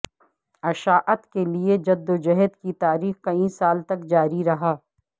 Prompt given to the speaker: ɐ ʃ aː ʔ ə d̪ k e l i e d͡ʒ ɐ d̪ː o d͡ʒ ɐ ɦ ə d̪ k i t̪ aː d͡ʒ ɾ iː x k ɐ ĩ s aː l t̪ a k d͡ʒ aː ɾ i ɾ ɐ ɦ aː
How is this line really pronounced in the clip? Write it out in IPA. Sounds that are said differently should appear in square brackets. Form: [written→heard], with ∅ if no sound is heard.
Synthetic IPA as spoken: ɐ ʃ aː ʔ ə [d̪→t̪] k e l i e d͡ʒ ɐ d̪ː o d͡ʒ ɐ ɦ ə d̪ k i t̪ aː [d͡ʒ→∅] ɾ iː x k ɐ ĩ s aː l t̪ [a→ɐ] k d͡ʒ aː ɾ i ɾ ɐ ɦ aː